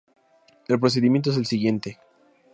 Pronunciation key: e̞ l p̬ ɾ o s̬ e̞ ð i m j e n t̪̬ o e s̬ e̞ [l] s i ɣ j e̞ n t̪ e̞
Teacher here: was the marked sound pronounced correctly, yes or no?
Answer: yes